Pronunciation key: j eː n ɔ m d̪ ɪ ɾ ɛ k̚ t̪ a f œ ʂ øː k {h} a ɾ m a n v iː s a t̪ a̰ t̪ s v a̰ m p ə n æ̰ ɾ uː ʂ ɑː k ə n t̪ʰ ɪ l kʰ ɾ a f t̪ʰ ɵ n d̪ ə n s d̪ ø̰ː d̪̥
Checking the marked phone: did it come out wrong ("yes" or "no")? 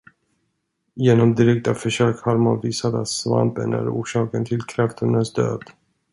no